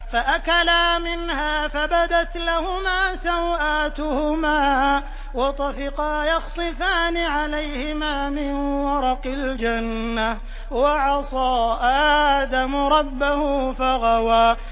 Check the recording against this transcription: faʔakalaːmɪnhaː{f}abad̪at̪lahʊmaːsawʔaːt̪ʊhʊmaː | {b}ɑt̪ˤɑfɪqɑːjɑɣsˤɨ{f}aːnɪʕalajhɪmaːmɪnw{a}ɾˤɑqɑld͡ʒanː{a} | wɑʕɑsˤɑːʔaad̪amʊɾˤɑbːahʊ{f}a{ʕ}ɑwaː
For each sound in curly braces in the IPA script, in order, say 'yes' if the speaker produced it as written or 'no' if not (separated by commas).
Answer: yes, no, yes, no, yes, yes, no